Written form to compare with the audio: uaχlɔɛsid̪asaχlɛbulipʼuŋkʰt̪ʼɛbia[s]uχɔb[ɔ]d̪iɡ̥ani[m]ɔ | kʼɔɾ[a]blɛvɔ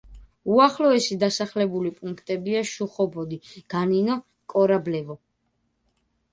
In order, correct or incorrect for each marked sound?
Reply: incorrect: ʃ, correct, incorrect: n, correct

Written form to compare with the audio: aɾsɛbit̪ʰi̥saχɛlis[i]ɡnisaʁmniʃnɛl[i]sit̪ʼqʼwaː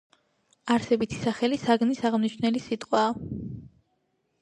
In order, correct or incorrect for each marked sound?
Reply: incorrect: a, correct

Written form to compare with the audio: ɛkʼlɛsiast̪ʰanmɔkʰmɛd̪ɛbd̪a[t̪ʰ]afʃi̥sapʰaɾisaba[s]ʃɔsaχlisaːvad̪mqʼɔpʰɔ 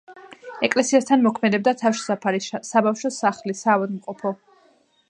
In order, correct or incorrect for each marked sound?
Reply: correct, incorrect: f

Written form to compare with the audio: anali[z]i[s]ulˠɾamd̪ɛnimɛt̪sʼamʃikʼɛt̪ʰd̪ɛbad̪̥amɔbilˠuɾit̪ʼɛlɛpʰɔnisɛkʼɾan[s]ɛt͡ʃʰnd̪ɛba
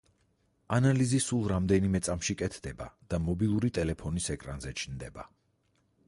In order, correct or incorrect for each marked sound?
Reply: correct, correct, incorrect: z

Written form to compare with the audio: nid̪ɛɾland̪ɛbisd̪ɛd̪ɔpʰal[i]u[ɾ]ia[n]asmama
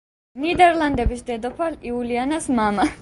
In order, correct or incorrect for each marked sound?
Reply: correct, incorrect: l, correct

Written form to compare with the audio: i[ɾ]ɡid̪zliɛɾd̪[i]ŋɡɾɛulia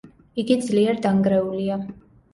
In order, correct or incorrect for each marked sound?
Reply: incorrect: none, incorrect: a

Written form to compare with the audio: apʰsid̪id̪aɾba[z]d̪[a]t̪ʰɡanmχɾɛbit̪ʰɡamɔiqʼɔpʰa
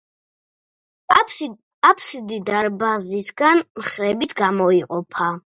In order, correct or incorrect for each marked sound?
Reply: correct, incorrect: i

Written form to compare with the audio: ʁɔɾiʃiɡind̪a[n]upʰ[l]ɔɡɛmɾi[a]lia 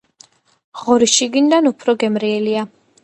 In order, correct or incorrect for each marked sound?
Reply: correct, incorrect: ɾ, incorrect: ɛ

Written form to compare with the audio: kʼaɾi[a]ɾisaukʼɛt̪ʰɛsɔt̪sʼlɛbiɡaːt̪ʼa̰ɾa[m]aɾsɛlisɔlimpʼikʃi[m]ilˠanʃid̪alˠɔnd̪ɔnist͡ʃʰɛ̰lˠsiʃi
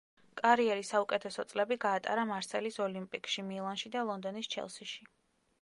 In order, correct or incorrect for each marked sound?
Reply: incorrect: ɛ, correct, correct

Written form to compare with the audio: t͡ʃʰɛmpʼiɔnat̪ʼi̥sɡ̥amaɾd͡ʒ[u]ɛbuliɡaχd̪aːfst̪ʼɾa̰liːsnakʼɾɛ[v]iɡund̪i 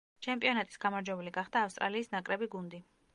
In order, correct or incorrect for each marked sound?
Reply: incorrect: w, incorrect: b

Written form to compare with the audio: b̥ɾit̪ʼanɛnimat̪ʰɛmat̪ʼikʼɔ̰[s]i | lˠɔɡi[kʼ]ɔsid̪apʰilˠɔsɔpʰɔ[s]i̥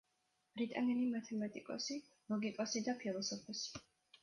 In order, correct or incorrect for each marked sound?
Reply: correct, correct, correct

